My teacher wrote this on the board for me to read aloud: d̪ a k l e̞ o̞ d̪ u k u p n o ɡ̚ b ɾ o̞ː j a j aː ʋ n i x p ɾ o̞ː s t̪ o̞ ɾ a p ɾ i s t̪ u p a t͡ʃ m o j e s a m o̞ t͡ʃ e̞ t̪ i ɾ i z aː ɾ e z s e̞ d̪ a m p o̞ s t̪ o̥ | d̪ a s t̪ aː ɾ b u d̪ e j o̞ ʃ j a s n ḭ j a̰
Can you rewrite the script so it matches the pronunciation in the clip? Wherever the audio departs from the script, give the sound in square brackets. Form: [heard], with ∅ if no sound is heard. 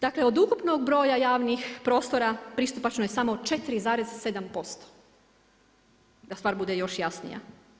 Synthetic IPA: d̪ a k l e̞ o̞ d̪ u k u p n o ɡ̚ b ɾ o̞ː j a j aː ʋ n i x p ɾ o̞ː s t̪ o̞ ɾ a p ɾ i s t̪ u p a t͡ʃ [n] o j e s a m o̞ t͡ʃ e̞ t̪ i ɾ i z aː ɾ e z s e̞ d̪ a m p o̞ s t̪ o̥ | d̪ a s t̪ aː ɾ b u d̪ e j o̞ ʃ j a s n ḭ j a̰